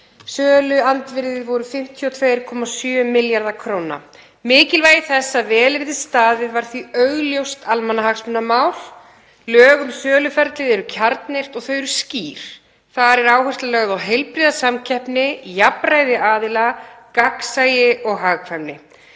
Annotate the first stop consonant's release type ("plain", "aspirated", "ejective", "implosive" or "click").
plain